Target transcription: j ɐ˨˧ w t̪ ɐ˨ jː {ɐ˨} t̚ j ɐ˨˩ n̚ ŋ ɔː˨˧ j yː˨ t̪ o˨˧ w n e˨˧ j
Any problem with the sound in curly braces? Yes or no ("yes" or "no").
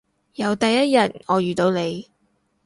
yes